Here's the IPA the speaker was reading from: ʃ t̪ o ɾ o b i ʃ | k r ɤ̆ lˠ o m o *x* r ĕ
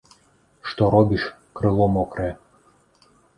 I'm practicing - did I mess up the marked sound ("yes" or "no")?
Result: yes